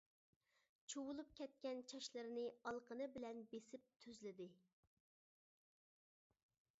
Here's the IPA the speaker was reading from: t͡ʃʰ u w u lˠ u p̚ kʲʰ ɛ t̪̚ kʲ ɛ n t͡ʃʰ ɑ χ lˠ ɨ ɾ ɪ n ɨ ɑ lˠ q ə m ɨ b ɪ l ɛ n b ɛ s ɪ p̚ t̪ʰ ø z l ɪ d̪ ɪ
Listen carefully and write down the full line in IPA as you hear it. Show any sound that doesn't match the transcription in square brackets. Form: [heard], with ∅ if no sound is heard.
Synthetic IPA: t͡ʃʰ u w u lˠ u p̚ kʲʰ ɛ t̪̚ kʲ ɛ n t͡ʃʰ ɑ [ʃ] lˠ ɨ ɾ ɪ n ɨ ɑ lˠ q ə [n] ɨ b ɪ l ɛ n b [e] s ɪ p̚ t̪ʰ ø z l ɪ d̪ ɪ

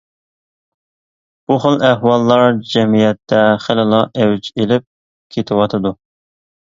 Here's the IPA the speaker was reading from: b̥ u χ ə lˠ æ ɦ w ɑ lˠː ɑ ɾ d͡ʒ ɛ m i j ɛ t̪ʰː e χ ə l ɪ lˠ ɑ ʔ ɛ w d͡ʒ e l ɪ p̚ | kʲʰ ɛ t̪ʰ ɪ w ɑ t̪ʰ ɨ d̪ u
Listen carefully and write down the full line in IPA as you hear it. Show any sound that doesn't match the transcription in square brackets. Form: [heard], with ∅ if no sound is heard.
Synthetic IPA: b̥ u χ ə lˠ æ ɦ w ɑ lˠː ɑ ɾ d͡ʒ ɛ m i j ɛ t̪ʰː [ɛ] χ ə l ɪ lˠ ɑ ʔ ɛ w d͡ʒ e l ɪ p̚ | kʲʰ [e] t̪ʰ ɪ w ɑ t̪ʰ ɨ d̪ u

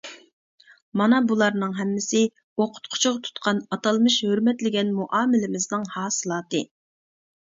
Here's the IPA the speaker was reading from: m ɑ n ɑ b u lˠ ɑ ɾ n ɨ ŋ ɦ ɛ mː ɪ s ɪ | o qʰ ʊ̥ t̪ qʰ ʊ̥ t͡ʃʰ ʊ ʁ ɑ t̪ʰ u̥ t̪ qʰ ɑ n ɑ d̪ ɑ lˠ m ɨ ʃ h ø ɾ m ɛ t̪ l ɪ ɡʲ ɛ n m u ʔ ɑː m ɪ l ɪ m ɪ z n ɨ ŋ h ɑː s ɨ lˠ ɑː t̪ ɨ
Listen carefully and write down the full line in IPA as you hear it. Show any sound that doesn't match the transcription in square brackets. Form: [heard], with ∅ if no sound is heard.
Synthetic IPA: m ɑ n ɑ b u lˠ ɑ ɾ n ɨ ŋ ɦ ɛ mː ɪ s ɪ | o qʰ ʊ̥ t̪ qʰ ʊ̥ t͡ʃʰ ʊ ʁ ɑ t̪ʰ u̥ t̪ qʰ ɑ n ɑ [t̪] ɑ lˠ m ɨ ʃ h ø ɾ m ɛ t̪ l ɪ ɡʲ ɛ n m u ʔ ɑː m ɪ l ɪ m ɪ z n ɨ ŋ h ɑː s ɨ lˠ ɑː t̪ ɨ

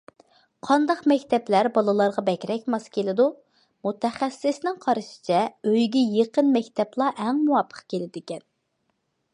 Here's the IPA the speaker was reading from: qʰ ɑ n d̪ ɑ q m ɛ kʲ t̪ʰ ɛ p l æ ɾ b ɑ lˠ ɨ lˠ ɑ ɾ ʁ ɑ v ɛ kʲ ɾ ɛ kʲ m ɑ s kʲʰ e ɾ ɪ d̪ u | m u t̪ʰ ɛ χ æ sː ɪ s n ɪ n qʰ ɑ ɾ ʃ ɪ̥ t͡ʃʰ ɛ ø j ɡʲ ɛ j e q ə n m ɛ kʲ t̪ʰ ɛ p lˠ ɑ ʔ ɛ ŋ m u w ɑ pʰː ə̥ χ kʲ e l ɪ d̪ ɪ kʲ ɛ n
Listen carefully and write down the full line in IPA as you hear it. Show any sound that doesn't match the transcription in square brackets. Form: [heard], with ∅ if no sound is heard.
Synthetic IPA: qʰ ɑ n d̪ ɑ q m ɛ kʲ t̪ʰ ɛ p l æ ɾ b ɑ lˠ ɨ lˠ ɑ ɾ ʁ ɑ [b] ɛ kʲ ɾ ɛ kʲ m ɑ s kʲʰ e [l] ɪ d̪ u | m u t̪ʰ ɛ χ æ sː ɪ s n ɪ [ŋ] qʰ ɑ ɾ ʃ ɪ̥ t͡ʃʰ ɛ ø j ɡʲ ɛ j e q ə n m ɛ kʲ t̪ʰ ɛ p lˠ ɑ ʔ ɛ ŋ m u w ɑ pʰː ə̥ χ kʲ e l ɪ d̪ ɪ kʲ ɛ n

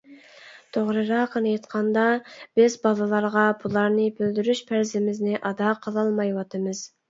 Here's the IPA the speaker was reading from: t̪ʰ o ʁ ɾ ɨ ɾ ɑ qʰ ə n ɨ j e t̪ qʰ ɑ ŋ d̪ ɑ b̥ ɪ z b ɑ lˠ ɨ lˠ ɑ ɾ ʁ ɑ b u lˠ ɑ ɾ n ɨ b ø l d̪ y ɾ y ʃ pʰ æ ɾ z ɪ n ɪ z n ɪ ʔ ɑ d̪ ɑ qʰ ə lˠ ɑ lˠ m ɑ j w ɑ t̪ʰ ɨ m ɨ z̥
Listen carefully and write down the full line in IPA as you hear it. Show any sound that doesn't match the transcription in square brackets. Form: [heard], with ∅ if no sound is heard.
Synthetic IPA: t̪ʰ o ʁ ɾ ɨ ɾ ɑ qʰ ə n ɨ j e t̪ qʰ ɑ [n] d̪ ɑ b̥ ɪ z b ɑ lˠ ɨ lˠ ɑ ɾ ʁ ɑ b u lˠ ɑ ɾ n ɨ b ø l d̪ y ɾ y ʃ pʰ æ ɾ z ɪ [m] ɪ z n ɪ ʔ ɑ d̪ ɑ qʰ ə lˠ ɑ lˠ m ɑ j w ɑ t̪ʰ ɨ m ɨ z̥

